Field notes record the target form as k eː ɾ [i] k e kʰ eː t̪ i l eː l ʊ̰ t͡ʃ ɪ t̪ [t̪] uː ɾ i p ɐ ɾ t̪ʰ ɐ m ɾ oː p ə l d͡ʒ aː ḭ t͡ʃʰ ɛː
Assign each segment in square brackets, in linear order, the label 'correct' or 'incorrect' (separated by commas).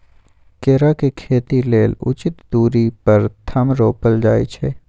incorrect, incorrect